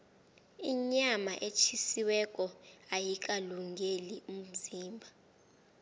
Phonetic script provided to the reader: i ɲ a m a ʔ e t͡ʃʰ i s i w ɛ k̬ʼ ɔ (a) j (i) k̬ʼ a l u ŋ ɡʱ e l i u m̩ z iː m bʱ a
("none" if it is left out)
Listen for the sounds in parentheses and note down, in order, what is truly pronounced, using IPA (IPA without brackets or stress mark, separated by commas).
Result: a, i